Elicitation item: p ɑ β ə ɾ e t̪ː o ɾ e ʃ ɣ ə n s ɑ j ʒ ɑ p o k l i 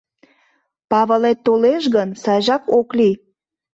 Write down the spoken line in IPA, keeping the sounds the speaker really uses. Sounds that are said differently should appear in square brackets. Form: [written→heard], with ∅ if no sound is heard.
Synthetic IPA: p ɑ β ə [ɾ→l] e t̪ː o [ɾ→l] e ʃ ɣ ə n s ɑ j ʒ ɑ [p→k] o k l i